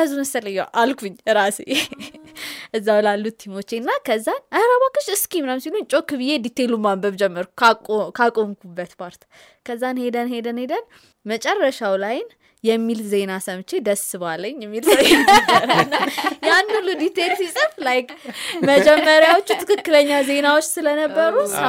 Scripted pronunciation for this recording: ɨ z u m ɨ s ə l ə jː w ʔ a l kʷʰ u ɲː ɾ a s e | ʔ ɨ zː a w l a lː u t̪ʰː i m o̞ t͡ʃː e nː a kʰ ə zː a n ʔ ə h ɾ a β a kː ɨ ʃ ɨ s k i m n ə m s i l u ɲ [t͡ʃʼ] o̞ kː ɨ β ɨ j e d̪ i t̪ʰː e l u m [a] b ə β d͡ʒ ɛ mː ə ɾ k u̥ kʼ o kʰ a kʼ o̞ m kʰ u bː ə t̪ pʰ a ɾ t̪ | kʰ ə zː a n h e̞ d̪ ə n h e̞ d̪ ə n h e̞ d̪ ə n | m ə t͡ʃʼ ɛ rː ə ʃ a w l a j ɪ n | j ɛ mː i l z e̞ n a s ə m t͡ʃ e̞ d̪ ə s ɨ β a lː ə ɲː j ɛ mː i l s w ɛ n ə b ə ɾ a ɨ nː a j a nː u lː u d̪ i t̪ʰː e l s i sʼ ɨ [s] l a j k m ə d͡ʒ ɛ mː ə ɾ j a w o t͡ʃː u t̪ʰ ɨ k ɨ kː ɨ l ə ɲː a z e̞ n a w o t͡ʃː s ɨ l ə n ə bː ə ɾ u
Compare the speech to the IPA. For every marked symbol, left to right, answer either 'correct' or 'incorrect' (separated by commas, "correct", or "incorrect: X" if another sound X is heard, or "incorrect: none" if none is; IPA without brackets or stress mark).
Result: correct, correct, incorrect: f